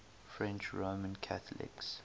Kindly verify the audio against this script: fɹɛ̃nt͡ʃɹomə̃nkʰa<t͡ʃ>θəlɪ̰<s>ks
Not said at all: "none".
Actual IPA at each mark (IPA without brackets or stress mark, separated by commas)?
none, none